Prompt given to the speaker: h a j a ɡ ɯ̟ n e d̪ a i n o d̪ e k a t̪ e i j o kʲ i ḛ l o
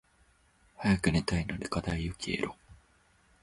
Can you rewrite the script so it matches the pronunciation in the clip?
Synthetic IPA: h a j a k ɯ̟ n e t̪ a i n o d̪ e k a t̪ a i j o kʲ i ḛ ɾ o